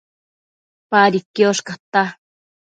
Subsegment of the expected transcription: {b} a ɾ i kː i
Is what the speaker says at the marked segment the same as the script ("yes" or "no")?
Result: no